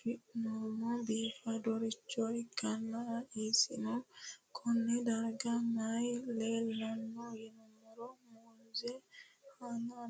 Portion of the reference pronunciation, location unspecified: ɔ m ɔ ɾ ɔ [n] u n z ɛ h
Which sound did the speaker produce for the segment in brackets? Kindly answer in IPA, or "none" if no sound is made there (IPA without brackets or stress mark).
m